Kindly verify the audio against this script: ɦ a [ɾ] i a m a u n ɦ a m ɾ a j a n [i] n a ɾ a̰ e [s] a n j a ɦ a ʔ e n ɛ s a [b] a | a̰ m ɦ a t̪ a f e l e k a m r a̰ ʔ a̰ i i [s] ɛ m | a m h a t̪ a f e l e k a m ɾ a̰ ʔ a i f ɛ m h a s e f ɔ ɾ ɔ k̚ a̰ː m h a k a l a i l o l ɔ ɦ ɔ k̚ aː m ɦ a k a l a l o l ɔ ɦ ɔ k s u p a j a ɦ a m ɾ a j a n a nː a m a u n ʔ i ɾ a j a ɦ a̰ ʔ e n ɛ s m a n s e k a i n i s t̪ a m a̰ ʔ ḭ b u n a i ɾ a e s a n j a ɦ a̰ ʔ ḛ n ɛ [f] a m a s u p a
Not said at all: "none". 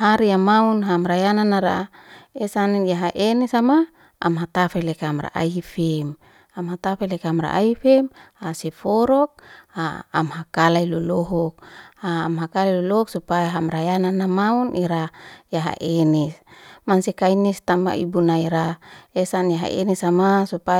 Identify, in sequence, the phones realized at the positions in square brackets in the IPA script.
ɾ, a, s, m, f, s

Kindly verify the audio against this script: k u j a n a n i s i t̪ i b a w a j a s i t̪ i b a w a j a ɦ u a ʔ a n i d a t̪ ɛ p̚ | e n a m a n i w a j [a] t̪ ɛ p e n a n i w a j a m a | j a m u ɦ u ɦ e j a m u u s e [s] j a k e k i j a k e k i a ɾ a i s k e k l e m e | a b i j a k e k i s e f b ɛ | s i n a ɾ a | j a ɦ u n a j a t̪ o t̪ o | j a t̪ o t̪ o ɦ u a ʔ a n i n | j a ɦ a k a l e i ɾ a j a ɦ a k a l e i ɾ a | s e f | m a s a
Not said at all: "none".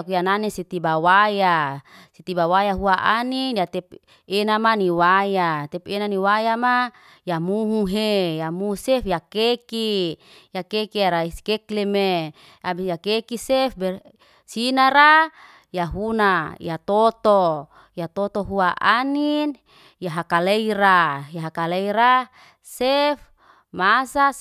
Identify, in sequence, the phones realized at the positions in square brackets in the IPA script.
a, f

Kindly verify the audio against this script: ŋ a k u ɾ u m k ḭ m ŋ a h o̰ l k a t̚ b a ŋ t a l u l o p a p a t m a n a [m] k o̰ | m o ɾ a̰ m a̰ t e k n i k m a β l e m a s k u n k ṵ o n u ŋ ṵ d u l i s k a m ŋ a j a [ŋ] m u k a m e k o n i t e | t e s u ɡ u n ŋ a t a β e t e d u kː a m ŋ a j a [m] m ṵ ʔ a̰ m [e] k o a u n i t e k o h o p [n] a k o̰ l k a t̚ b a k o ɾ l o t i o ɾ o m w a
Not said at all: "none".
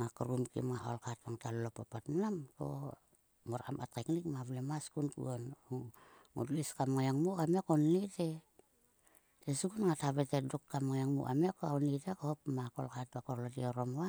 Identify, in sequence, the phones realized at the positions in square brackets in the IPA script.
m, ŋ, ŋ, e, m

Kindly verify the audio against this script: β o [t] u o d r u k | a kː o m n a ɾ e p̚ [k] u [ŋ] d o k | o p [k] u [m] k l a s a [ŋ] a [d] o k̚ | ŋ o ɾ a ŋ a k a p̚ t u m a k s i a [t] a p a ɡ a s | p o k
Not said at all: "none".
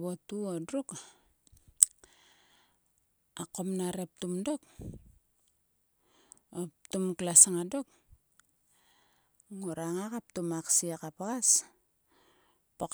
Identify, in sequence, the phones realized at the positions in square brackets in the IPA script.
t, t, m, t, m, ŋ, d, k

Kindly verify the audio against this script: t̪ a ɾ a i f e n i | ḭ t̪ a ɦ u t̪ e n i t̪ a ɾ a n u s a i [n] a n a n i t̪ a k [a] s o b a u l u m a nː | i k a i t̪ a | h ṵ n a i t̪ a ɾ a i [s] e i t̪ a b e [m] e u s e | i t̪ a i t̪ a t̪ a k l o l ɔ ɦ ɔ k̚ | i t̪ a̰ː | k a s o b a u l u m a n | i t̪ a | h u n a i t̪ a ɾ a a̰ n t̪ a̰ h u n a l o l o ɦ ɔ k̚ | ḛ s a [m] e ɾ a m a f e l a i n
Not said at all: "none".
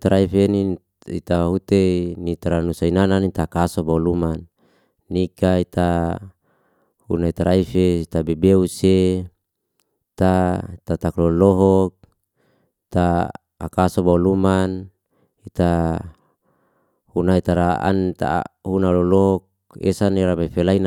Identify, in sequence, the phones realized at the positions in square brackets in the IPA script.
n, a, f, b, n

